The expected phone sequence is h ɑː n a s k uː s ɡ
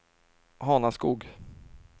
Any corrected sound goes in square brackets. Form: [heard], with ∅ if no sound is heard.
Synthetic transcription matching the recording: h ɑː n a s k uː [∅] ɡ